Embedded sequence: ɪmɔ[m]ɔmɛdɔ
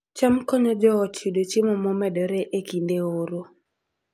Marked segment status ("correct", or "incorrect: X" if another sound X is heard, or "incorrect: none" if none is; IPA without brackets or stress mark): correct